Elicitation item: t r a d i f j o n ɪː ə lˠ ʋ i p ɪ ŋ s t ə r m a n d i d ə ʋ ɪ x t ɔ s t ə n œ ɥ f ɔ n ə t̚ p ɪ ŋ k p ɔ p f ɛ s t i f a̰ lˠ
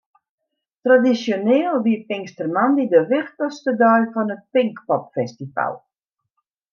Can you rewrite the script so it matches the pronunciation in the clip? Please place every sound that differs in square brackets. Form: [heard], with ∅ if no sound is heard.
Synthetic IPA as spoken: t r a d i [s] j o n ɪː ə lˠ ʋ i p ɪ ŋ s t ə r m a n d i d ə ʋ ɪ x t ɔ s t ə [d] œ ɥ f ɔ n ə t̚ p ɪ ŋ k p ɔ p f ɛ s t i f a̰ lˠ